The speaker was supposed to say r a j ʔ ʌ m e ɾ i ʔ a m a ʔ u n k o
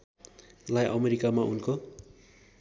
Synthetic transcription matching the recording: l a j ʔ ʌ m e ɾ i k a m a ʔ u n k o